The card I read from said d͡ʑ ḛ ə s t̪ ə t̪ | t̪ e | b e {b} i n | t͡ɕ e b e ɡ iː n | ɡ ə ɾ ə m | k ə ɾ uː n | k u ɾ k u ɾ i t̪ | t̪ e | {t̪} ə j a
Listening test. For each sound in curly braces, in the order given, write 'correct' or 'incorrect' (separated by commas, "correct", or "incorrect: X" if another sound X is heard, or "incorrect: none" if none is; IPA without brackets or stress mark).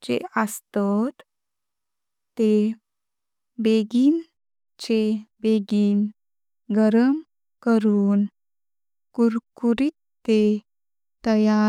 incorrect: ɡ, correct